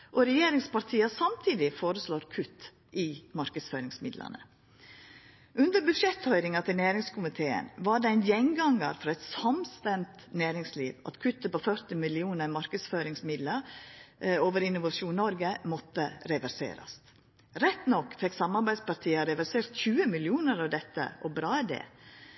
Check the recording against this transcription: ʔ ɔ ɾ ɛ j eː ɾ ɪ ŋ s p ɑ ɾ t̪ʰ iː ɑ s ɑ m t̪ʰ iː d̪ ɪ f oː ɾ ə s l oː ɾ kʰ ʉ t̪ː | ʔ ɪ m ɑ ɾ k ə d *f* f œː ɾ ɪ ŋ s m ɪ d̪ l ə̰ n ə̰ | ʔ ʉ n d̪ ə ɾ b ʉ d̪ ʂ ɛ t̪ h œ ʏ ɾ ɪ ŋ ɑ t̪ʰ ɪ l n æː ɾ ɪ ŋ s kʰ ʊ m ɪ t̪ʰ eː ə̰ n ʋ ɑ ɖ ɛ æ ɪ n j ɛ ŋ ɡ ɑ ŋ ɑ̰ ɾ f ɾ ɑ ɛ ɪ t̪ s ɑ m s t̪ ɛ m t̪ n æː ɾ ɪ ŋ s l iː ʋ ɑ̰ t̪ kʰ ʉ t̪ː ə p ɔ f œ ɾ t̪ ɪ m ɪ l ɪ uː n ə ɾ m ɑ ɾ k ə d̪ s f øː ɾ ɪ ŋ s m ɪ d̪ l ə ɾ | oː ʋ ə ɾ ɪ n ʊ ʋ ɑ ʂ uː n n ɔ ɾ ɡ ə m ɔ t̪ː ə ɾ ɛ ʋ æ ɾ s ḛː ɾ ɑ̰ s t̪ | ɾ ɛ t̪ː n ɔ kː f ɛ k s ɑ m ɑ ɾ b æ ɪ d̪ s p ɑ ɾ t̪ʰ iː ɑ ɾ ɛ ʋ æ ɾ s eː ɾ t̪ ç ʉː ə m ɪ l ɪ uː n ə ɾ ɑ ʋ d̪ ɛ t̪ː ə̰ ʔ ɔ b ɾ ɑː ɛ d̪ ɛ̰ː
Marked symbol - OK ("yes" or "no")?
no